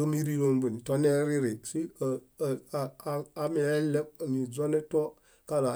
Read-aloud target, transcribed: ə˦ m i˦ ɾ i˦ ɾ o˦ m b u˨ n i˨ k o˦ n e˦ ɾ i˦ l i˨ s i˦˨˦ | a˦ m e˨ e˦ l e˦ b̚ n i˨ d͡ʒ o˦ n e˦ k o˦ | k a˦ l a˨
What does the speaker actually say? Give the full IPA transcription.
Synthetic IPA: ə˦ m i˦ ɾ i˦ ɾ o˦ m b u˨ n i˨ t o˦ n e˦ ɾ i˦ ɾ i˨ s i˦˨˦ | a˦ m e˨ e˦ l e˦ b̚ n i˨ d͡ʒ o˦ n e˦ t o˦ | k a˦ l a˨

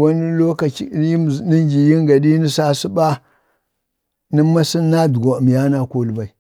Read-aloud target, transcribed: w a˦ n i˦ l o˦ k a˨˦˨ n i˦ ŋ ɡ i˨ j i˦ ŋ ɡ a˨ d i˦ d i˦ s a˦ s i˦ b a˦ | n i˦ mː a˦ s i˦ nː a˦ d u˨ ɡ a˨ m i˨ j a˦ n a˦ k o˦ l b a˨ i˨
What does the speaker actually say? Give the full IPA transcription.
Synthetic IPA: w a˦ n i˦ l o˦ k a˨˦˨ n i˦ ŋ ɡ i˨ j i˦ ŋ ɡ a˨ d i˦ n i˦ s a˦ s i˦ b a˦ | n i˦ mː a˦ s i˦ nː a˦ d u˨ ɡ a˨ m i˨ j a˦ n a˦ k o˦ l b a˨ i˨

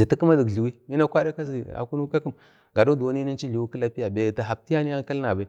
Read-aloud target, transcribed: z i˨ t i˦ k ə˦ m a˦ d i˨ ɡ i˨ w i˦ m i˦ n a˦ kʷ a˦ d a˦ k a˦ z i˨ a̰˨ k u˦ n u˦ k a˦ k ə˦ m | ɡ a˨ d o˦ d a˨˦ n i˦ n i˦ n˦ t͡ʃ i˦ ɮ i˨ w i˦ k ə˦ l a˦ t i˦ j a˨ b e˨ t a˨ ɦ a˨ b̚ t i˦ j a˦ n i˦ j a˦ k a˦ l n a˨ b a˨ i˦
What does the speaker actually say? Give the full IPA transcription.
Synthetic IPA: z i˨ t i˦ k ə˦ m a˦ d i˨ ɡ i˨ w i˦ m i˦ n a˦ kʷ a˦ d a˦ k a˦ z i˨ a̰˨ k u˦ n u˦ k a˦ k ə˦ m | ɡ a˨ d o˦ d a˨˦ n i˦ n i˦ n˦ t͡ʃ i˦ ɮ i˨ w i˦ k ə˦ l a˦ p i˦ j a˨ b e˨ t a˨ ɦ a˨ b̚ t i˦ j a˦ n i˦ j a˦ k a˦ l n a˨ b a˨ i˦

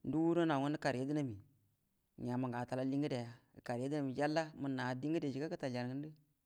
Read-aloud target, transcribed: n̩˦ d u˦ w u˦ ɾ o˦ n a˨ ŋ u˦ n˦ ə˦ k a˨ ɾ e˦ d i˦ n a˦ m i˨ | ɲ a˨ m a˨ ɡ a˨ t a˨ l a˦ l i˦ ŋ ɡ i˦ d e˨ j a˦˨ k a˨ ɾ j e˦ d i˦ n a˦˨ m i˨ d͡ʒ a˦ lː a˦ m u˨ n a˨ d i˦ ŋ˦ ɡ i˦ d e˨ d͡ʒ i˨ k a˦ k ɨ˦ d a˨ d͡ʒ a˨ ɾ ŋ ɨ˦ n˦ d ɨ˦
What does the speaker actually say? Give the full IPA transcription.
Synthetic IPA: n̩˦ d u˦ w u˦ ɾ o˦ n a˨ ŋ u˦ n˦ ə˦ k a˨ ɾ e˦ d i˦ n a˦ m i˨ | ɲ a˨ m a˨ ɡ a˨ t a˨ l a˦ l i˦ ŋ ɡ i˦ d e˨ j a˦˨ k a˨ ɾ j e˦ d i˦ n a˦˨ m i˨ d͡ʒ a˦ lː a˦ m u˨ n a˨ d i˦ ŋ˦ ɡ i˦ d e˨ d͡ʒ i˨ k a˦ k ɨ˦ t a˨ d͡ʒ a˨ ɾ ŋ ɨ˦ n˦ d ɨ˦

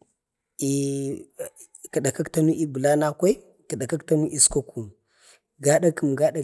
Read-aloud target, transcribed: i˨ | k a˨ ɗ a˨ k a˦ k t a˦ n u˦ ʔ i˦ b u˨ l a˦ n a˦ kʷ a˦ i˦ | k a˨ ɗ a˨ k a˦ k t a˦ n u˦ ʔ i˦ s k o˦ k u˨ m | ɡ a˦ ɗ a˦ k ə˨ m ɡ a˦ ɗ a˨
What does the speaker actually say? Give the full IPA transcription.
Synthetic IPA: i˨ | k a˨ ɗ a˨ k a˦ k t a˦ n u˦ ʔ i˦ b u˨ l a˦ n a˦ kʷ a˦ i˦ | k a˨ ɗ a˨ k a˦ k t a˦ n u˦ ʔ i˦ s k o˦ k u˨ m | ɡ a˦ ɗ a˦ k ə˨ m ɡ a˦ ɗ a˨

